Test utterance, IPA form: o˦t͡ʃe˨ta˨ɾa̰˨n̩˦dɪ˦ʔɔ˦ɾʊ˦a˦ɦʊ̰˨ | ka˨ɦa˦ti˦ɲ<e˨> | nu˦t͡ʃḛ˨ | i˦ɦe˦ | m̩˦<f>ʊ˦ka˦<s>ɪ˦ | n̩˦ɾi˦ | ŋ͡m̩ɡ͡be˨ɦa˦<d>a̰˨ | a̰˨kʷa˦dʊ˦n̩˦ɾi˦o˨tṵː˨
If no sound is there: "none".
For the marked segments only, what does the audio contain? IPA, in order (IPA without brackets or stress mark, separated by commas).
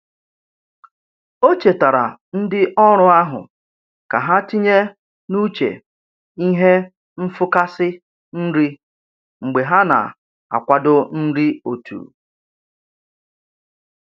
e˦, f, s, n